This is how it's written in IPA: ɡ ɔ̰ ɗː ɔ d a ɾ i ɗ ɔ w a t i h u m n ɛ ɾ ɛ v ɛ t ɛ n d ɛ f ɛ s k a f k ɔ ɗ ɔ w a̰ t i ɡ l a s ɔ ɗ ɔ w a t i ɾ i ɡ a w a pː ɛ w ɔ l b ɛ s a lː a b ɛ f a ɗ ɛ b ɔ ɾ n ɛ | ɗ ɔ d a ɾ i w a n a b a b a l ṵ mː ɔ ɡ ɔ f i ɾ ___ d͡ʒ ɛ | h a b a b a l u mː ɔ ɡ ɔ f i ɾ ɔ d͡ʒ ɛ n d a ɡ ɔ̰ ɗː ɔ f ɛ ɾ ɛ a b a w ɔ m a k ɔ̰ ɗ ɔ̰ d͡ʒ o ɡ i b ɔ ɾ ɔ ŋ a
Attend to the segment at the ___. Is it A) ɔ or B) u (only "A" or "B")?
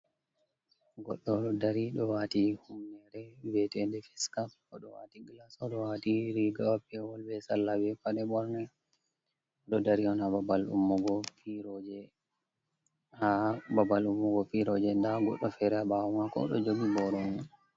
A